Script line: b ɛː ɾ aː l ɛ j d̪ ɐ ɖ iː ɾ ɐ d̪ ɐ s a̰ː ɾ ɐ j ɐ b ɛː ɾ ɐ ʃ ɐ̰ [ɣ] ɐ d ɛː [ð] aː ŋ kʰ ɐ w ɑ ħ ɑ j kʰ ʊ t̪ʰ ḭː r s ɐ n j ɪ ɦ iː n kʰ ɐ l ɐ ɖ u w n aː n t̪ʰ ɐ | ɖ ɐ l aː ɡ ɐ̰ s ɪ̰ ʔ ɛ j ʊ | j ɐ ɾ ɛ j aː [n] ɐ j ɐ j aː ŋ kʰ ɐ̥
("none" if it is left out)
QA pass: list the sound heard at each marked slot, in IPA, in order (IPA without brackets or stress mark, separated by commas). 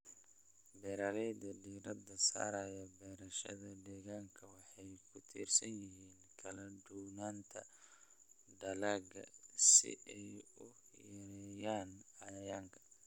ð, ɣ, n